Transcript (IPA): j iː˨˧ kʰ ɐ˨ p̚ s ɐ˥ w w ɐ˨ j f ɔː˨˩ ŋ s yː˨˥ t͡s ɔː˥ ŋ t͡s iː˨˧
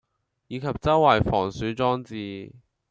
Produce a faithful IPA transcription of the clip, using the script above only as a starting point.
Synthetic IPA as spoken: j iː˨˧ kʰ ɐ˨ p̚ t͡s ɐ˥ w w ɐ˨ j f ɔː˨˩ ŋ s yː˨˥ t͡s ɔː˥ ŋ t͡s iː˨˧